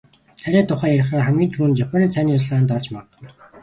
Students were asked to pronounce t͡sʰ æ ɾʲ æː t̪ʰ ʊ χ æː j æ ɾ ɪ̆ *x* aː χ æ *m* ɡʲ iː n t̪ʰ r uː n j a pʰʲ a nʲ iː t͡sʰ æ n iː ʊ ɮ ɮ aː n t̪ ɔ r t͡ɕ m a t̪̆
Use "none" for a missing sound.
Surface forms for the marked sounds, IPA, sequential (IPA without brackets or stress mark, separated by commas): χ, m